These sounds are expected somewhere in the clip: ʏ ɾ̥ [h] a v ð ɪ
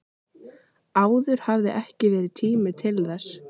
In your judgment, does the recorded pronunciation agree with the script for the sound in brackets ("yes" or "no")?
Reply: yes